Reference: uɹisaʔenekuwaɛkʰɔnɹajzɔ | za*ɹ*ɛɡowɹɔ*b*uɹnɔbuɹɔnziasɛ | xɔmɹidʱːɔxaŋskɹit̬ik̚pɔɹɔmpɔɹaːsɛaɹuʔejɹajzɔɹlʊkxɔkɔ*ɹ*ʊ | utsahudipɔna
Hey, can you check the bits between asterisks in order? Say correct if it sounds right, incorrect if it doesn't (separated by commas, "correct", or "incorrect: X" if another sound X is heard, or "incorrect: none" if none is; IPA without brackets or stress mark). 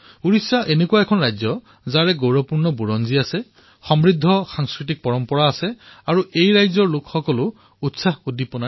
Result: correct, incorrect: p, incorrect: l